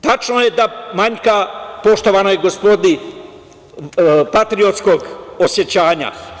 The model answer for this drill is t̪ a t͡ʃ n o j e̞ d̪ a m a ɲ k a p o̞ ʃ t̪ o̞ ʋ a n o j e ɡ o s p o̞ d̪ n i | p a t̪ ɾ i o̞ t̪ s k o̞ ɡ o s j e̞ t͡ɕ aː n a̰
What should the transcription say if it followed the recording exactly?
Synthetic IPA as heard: t̪ a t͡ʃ n o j e̞ d̪ a m a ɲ k a p o̞ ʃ t̪ o̞ ʋ a n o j e ɡ o s p o̞ d̪ n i | p a t̪ ɾ i o̞ t̪ s k o̞ ɡ o s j e̞ t͡ɕ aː ɲ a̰

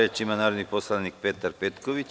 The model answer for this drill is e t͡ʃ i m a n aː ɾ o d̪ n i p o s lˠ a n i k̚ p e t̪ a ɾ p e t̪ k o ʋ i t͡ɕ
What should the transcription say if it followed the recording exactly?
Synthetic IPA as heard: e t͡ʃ i m a n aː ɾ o d̪ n i p o s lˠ a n i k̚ p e t̪ a ɾ p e t̪ k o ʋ i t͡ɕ

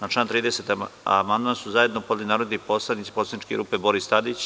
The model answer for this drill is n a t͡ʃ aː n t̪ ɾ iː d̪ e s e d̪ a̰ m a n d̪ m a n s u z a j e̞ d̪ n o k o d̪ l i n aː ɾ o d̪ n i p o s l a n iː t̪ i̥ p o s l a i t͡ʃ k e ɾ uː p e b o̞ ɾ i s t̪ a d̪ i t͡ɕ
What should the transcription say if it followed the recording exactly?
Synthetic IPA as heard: n a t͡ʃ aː n t̪ ɾ iː d̪ e s e t̪ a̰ m a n d̪ m a n s u z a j e̞ d̪ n o p o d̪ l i n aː ɾ o d̪ n i p o s l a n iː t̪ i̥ p o s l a i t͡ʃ k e ɾ uː p e b o̞ ɾ i s t̪ a d̪ i t͡ɕ

